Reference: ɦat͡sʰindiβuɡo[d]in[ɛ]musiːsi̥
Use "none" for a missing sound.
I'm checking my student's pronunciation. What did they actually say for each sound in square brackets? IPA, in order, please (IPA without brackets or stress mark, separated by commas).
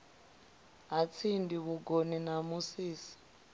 n, a